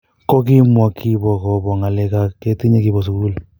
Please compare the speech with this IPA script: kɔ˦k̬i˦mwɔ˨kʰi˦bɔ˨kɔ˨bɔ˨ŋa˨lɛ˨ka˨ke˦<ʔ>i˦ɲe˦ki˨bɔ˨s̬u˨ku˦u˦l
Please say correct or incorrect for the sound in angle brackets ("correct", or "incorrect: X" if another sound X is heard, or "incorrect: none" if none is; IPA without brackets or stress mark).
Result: incorrect: t